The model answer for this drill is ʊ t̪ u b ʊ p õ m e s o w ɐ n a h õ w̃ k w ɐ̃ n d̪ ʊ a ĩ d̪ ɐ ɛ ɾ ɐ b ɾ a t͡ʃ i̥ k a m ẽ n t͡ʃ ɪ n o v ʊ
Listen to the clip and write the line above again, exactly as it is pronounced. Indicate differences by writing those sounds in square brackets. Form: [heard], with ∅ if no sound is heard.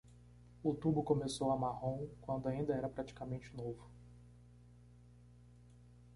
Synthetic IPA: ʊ t̪ u b ʊ [k] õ m e s o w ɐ [m] a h õ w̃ k w ɐ̃ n d̪ ʊ a ĩ d̪ ɐ ɛ ɾ ɐ [p] ɾ a t͡ʃ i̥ k a m ẽ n t͡ʃ ɪ n o v ʊ